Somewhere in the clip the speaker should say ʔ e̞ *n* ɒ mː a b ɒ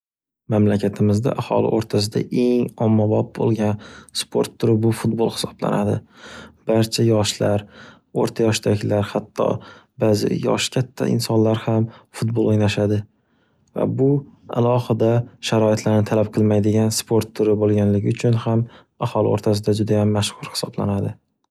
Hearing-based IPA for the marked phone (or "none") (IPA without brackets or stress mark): ŋ